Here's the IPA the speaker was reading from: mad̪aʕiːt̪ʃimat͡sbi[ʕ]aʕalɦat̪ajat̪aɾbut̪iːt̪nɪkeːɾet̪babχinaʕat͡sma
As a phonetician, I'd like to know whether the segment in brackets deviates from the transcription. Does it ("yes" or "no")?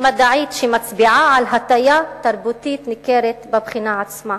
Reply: no